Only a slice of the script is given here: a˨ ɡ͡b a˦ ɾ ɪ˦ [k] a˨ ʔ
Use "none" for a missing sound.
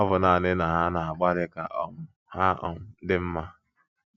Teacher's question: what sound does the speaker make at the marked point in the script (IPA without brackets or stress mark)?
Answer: k